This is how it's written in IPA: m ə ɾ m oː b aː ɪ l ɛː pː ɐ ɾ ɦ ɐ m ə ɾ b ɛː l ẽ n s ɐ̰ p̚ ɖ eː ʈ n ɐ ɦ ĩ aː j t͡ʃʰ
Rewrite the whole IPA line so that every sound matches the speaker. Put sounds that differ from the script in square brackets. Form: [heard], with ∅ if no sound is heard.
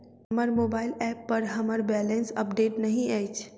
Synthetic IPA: m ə ɾ m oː b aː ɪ l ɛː pː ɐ ɾ ɦ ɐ m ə ɾ b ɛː l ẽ n s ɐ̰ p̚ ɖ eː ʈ n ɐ ɦ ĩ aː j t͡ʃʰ